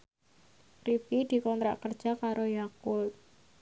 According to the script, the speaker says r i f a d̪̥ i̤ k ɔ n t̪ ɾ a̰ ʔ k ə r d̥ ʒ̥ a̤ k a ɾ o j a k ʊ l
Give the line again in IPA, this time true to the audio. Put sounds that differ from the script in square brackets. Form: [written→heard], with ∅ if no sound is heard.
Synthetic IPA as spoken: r i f [a→i] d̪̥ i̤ k ɔ n t̪ ɾ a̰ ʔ k ə r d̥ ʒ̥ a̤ k a ɾ o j a k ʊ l